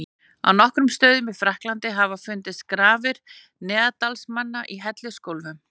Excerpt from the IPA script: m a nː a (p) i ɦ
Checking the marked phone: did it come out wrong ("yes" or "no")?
yes